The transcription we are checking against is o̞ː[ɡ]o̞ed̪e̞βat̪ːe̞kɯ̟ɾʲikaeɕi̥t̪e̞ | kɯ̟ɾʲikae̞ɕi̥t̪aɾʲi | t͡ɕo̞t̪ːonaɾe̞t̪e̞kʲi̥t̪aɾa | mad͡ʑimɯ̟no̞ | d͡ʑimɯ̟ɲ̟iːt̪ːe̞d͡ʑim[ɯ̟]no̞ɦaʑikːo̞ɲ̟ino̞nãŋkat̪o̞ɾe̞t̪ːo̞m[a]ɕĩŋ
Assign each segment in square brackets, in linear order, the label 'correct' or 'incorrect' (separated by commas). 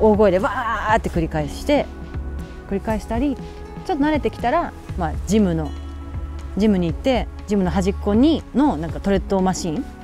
correct, correct, correct